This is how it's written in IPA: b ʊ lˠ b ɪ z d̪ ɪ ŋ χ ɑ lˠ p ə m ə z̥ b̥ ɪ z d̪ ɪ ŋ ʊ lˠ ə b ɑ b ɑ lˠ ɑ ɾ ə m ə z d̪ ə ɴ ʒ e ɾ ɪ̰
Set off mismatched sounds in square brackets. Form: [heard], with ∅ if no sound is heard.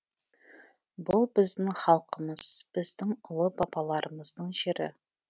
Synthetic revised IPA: b ʊ lˠ b ɪ z d̪ ɪ ŋ χ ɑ lˠ [q] ə m ə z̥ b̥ ɪ z d̪ ɪ ŋ ʊ lˠ ə b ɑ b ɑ lˠ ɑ ɾ ə m ə z d̪ ə ɴ ʒ e ɾ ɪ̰